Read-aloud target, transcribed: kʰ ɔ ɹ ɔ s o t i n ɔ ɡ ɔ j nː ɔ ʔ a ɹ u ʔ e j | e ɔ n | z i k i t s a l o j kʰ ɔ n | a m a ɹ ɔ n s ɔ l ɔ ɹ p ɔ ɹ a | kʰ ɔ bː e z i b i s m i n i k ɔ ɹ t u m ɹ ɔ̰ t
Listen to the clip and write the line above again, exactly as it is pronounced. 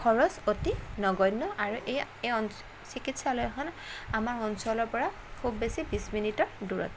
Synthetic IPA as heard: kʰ ɔ ɹ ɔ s o t i n ɔ ɡ ɔ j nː ɔ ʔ a ɹ u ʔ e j | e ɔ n | s i k i t s a l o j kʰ ɔ n | a m a ɹ ɔ n s ɔ l ɔ ɹ p ɔ ɹ a | kʰ u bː e s i b i s m i n i t ɔ ɹ d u ɹ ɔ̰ t